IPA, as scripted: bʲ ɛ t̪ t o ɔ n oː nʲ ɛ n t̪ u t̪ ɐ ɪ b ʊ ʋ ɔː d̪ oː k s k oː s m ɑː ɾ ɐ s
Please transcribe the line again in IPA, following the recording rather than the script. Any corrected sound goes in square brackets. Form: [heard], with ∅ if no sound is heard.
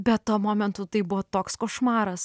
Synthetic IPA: bʲ ɛ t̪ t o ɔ [m] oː [mʲ] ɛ n t̪ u t̪ ɐ ɪ b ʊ ʋ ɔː [t̪] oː k s k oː [ʃ] m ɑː ɾ ɐ s